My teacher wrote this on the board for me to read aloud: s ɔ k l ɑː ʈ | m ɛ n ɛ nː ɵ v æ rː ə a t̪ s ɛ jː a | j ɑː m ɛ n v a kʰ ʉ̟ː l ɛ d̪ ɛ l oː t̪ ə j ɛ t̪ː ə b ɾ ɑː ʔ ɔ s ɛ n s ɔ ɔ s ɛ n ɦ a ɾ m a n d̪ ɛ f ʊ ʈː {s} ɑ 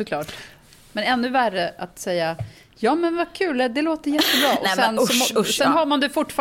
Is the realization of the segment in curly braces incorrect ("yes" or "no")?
yes